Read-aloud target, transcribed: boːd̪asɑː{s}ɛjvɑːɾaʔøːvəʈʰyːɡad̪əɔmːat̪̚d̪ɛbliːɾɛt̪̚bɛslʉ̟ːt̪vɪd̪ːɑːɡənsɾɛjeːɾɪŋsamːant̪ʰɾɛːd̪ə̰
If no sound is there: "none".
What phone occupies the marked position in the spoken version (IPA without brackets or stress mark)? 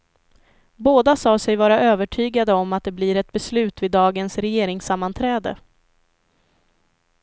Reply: s